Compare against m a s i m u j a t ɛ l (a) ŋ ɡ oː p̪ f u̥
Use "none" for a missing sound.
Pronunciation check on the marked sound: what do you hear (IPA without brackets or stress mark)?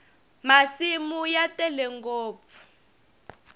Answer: ɛ